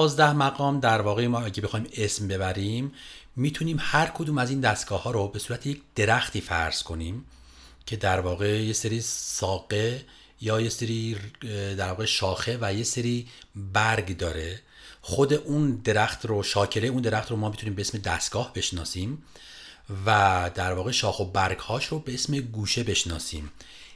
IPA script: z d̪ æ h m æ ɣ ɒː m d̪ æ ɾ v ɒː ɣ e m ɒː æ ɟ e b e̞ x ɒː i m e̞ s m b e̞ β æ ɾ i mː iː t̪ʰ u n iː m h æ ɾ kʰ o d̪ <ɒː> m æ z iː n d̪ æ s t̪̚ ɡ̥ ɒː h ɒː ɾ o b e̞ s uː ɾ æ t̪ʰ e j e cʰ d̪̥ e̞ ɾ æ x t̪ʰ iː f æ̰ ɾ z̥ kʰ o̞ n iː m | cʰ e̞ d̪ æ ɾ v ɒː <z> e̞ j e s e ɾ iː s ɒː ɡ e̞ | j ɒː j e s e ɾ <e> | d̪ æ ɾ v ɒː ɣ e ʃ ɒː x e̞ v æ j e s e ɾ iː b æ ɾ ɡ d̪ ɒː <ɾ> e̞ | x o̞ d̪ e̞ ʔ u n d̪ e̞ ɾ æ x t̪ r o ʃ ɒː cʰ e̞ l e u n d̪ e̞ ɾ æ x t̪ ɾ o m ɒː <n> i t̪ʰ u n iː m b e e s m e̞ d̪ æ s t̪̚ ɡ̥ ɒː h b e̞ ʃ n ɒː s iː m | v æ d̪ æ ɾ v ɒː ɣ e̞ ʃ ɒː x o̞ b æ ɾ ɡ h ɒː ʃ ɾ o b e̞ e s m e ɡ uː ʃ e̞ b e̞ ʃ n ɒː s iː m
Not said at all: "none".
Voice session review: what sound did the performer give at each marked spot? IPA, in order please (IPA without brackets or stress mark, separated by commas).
uː, ɣ, i, ɾ, m